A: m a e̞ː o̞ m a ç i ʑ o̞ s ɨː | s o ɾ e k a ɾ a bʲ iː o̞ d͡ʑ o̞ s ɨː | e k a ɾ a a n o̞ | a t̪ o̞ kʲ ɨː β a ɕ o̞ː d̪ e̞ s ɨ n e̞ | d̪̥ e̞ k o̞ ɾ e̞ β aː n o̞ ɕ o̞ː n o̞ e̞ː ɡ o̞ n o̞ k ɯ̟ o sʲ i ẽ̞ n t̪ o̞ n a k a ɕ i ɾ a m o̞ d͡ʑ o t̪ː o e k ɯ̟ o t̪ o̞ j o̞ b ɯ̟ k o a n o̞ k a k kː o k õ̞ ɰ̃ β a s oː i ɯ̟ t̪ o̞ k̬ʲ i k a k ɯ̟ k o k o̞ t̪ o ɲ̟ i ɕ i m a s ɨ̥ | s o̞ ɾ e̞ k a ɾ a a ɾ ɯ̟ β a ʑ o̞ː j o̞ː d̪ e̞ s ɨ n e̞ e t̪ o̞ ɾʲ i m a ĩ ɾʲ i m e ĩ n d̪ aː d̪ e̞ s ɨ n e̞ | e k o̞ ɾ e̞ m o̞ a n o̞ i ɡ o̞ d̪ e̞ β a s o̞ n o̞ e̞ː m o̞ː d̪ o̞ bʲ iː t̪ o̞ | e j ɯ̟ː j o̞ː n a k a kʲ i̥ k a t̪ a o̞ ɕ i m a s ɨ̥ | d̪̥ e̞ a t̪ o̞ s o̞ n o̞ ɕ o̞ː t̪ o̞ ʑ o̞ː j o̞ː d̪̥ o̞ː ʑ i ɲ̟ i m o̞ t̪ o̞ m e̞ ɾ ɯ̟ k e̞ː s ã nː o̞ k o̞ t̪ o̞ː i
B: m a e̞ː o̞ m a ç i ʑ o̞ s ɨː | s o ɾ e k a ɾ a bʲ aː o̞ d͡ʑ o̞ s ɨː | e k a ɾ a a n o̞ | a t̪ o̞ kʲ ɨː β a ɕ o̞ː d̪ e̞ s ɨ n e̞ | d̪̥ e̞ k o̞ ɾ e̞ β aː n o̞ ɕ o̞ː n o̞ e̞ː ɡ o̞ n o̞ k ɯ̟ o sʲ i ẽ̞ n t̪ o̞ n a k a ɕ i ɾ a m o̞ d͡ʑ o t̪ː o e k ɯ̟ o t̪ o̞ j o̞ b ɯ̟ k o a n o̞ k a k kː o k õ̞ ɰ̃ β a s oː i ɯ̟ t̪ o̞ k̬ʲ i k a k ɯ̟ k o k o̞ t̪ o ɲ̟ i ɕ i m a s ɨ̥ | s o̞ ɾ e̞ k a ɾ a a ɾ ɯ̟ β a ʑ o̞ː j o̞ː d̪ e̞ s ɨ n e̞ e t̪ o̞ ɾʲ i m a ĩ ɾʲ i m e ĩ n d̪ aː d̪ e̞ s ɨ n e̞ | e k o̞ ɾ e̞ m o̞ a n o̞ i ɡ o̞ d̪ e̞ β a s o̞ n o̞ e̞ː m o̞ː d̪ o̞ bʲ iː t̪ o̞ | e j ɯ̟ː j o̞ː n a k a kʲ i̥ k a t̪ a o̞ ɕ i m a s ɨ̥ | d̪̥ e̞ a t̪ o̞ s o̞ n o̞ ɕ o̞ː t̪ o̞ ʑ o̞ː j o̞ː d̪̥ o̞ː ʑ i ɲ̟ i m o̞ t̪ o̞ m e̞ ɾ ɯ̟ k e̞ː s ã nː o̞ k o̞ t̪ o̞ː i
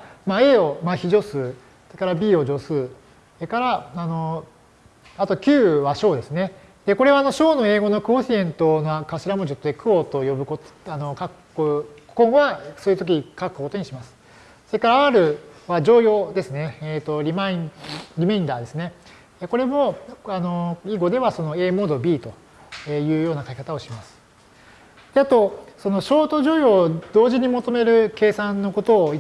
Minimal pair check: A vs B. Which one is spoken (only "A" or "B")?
A